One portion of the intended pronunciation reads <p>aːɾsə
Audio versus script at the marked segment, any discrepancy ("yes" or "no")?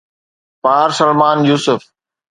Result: no